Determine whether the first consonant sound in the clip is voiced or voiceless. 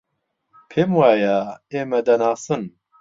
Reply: voiceless